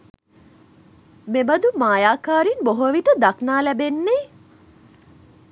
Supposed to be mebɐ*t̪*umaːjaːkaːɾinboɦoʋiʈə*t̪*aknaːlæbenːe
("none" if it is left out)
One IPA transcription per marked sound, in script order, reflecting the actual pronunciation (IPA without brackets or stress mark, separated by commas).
d̪, d̪